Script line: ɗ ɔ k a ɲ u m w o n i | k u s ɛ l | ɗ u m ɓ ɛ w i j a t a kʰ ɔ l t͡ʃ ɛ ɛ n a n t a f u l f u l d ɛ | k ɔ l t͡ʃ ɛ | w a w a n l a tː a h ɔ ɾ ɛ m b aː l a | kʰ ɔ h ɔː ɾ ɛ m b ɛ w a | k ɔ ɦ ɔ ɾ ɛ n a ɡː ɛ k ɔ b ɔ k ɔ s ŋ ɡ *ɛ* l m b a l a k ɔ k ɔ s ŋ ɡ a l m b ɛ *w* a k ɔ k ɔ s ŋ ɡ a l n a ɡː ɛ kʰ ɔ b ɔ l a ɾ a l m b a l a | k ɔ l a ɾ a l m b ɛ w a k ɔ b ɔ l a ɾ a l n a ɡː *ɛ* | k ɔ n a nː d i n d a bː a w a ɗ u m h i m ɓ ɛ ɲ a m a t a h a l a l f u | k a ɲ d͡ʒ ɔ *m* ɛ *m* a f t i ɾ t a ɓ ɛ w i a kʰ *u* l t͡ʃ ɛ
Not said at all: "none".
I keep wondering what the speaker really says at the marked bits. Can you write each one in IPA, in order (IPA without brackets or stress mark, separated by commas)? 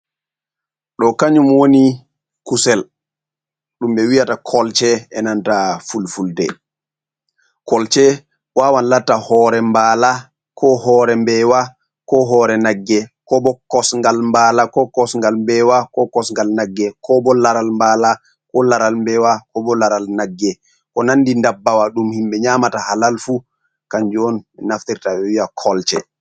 a, w, ɛ, n, n, ɔ